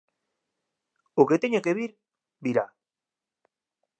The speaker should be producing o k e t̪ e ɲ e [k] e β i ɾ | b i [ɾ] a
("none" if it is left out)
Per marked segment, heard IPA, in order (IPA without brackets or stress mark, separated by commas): k, ɾ